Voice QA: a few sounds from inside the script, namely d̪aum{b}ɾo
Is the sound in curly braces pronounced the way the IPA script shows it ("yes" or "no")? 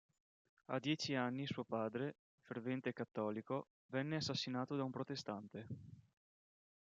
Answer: no